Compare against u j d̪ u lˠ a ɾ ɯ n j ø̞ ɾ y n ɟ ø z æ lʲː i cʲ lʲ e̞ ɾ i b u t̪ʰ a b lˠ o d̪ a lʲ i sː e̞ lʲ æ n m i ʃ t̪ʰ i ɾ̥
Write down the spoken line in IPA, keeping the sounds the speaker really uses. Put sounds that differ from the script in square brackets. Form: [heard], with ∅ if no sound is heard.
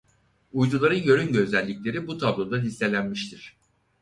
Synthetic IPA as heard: u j d̪ u lˠ a ɾ ɯ n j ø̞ ɾ y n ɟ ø z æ lʲː i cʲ lʲ e̞ ɾ i b u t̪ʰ a b lˠ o d̪ a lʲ i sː e̞ lʲ æ n m i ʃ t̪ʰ i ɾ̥